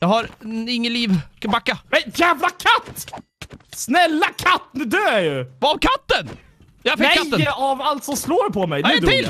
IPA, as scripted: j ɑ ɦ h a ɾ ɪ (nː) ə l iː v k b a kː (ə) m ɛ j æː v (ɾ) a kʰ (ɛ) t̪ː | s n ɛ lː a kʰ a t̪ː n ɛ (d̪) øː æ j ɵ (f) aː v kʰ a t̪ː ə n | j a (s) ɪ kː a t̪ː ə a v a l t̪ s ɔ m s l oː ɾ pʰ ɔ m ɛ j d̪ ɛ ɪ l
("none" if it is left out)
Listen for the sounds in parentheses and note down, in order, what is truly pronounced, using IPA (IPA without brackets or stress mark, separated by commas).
ŋː, a, l, a, d̪, v, f